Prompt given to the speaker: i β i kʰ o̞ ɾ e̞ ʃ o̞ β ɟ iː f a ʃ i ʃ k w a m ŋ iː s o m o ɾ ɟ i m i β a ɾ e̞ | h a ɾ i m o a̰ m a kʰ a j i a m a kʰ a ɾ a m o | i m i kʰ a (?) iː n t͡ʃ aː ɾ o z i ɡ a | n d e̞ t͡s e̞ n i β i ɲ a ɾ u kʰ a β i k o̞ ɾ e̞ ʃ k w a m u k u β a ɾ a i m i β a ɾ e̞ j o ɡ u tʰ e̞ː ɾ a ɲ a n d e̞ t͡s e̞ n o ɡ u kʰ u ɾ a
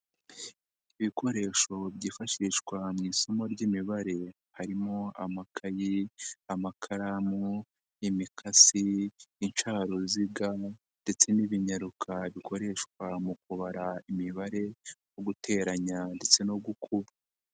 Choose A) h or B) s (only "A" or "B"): B